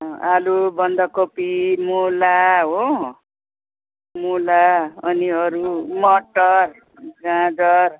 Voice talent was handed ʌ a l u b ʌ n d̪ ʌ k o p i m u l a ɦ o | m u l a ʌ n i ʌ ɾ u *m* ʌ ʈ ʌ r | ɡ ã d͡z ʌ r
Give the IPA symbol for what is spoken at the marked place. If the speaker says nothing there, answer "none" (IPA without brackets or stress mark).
m